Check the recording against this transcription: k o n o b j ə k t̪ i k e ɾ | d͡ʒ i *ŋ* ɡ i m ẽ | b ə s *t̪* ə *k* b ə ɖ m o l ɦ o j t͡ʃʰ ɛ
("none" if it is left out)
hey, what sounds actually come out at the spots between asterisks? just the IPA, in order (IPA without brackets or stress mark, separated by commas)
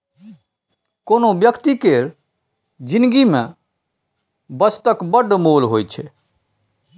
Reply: n, t̪, k